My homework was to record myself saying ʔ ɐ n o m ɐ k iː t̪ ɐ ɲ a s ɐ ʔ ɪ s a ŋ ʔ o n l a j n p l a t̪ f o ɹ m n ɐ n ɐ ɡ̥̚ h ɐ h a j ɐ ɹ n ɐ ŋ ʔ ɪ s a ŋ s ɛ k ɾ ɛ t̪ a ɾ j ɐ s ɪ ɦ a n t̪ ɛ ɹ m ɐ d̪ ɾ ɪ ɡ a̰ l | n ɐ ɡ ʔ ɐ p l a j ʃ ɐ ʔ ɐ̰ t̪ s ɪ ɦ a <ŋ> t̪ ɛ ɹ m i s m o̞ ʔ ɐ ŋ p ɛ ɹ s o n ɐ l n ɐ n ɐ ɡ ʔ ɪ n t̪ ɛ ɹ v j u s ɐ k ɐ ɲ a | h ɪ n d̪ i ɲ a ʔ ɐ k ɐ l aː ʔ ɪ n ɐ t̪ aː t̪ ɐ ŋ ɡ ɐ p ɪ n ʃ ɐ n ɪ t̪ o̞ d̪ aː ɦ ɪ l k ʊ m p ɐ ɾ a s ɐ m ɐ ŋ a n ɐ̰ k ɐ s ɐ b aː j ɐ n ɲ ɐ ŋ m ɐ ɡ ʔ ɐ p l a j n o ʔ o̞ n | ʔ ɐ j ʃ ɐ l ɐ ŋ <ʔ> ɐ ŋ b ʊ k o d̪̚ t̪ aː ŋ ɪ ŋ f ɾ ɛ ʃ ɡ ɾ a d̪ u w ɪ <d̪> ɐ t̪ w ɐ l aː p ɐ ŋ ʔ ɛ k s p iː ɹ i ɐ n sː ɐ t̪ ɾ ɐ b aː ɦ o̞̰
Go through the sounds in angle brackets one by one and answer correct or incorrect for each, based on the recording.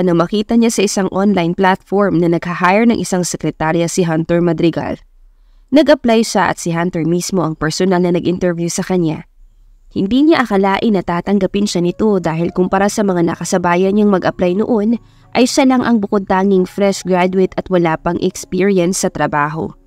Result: incorrect: n, correct, incorrect: t̪

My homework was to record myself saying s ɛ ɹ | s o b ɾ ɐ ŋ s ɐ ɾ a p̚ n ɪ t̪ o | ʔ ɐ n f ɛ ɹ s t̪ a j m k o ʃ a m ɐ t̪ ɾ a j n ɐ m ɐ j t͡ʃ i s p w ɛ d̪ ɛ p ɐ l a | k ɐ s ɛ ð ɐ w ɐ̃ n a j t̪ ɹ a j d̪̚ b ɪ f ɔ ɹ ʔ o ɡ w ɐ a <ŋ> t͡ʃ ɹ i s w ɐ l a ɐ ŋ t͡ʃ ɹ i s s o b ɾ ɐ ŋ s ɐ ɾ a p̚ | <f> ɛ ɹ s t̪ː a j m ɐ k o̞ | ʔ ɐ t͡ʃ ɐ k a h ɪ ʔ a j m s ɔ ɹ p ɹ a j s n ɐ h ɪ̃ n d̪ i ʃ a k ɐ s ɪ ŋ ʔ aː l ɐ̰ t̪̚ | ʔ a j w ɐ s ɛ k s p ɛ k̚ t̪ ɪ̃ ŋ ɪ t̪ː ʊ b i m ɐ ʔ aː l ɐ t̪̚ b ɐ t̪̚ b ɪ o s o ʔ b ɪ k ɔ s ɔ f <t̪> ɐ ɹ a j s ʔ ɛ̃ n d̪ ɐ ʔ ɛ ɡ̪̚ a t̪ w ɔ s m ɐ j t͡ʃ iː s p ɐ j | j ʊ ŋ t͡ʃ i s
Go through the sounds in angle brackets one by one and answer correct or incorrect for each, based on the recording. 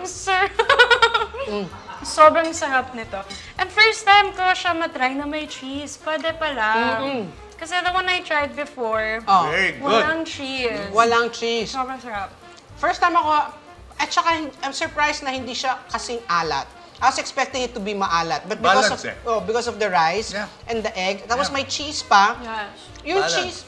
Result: correct, correct, incorrect: d̪

